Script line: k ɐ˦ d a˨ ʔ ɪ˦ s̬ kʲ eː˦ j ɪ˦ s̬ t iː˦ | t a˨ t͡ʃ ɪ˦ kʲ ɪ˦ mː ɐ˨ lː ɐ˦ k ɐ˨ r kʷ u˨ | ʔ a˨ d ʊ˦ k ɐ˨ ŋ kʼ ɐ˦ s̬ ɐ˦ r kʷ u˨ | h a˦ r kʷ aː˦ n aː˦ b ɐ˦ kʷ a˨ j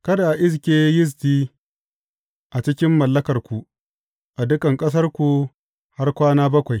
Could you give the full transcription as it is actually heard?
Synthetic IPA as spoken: k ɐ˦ d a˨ ʔ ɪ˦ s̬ kʲ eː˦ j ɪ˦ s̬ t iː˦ | ʔ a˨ t͡ʃ ɪ˦ kʲ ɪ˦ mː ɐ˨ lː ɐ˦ k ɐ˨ r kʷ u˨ | ʔ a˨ d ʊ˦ k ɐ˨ ŋ kʼ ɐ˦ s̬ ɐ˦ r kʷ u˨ | h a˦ r kʷ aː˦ n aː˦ b ɐ˦ kʷ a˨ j

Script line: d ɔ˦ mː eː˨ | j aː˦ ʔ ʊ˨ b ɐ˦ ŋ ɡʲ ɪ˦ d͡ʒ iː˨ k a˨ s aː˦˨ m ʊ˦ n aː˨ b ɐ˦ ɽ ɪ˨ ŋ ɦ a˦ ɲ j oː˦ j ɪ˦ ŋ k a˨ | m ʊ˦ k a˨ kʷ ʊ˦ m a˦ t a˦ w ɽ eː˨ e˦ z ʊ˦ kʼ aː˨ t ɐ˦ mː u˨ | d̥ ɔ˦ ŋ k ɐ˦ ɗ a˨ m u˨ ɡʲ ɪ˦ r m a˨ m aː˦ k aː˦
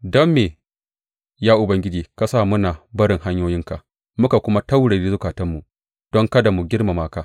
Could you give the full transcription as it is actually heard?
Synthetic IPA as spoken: d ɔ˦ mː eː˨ | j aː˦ ʔ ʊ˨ b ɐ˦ ŋ ɡʲ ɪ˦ d͡ʒ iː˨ k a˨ s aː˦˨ m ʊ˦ n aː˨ b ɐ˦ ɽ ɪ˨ ŋ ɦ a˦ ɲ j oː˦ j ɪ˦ ŋ k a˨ | m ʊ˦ k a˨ kʷ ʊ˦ m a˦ t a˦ w ɽ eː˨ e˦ z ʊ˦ k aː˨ t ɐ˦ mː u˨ | d̥ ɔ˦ ŋ k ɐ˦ d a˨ m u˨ ɡʲ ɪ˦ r m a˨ m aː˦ k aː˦

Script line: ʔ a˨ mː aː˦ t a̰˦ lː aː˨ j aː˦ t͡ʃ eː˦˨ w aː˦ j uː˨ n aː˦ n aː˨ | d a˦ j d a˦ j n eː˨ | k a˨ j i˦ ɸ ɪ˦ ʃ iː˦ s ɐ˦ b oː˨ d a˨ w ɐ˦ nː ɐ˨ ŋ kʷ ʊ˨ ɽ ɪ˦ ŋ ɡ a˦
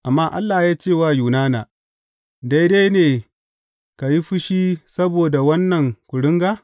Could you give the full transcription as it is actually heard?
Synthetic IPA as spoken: ʔ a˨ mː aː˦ ʔ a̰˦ lː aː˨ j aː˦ t͡ʃ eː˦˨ w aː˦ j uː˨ n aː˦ n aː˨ | d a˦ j d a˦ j n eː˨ | k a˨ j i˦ ɸ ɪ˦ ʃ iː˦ s ɐ˦ b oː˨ d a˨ w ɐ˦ nː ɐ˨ ŋ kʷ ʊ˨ ɽ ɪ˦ ŋ ɡ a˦

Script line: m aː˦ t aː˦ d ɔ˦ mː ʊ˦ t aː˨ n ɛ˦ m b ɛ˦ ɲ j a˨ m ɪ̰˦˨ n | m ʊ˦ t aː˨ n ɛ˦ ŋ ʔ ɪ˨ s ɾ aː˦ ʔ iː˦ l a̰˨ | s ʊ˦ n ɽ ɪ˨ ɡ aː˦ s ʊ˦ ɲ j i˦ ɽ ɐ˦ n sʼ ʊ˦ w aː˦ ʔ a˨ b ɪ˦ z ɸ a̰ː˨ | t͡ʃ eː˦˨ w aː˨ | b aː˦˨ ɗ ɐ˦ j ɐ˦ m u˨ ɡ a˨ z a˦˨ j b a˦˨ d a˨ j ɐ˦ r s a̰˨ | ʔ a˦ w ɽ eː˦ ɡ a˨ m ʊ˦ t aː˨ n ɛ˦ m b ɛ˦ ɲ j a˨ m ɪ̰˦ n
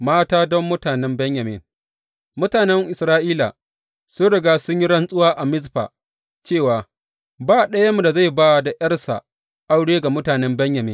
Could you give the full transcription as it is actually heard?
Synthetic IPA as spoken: m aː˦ t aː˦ d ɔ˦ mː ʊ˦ t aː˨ n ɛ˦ m b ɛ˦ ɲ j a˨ m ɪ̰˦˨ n | m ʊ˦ t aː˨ n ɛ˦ ŋ ʔ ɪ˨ s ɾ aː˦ ʔ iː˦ l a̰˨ | s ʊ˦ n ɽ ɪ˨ ɡ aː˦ s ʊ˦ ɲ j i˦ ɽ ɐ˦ n sʼ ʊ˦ w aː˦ ʔ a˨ m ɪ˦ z ɸ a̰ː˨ | t͡ʃ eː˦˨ w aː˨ | b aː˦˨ ɗ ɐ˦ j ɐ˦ m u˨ d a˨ z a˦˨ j b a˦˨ d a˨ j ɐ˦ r s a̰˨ | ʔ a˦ w ɽ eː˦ ɡ a˨ m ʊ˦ t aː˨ n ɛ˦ m b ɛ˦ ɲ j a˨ m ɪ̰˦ n

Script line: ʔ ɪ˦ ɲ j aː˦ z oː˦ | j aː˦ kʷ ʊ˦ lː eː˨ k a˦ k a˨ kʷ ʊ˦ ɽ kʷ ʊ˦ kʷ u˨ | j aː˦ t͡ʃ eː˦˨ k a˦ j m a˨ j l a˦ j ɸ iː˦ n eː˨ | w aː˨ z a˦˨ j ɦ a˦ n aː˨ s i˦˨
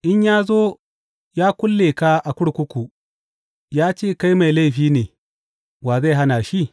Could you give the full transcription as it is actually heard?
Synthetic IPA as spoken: ʔ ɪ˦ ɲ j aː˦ z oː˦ | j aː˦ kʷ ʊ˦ lː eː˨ k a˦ ʔ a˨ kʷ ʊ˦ ɽ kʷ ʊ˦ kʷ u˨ | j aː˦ t͡ʃ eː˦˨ k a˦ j m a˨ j l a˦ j ɸ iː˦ n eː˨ | w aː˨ z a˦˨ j ɦ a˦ n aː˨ ʃ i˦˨

